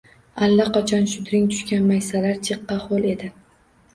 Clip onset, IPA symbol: a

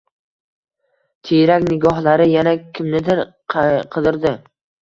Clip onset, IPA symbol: t̪ʰ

